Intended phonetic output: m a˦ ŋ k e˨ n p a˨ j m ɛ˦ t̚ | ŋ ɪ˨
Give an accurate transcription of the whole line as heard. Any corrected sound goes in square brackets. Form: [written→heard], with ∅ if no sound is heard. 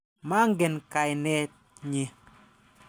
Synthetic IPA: m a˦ ŋ [k→ɡ] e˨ n [p→k] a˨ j [m→n] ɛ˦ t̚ | [ŋ→ɲ] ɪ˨